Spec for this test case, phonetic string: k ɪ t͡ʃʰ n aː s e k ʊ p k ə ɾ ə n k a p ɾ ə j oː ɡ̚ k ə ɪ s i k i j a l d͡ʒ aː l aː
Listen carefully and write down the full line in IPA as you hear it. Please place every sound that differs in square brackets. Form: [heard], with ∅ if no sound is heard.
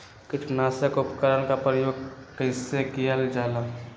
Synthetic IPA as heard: k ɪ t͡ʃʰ n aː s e k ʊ p k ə ɾ ə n k a p ɾ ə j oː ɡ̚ k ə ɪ s [e] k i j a l d͡ʒ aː l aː